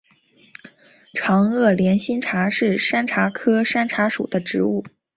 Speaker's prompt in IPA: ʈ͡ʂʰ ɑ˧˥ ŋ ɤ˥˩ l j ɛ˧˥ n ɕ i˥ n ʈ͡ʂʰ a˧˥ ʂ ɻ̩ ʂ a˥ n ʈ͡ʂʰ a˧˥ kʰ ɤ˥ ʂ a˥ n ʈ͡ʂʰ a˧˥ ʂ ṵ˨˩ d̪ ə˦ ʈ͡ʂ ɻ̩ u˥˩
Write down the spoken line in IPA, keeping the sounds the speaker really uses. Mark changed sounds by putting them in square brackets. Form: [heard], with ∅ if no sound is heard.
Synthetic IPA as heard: ʈ͡ʂʰ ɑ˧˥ ŋ ɤ˥˩ l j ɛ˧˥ n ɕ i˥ n ʈ͡ʂʰ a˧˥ ʂ ɻ̩ ʂ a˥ n ʈ͡ʂʰ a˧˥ kʰ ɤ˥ ʂ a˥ n ʈ͡ʂʰ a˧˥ ʂ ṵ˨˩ d̪ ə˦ ʈ͡ʂ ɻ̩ u˥˩